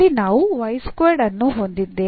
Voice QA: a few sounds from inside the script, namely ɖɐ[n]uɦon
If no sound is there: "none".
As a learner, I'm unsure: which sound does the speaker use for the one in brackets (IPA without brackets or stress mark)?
nː